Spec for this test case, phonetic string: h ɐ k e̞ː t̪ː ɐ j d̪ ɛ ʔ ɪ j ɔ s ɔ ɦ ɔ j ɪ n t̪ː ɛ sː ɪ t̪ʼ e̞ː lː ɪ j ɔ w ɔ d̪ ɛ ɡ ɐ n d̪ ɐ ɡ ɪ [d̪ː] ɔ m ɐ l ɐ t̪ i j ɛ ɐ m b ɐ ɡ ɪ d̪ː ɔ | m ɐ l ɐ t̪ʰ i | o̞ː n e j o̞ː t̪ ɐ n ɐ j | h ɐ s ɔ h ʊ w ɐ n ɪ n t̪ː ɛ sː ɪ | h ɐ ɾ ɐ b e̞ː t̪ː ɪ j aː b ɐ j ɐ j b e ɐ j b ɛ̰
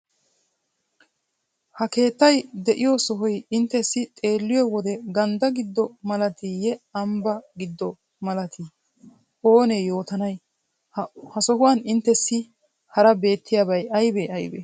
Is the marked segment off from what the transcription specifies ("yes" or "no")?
no